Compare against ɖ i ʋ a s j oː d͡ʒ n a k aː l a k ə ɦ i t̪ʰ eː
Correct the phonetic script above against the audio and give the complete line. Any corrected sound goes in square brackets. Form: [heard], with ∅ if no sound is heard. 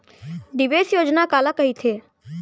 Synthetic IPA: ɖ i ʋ [e] s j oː d͡ʒ n a k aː l a k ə ɦ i t̪ʰ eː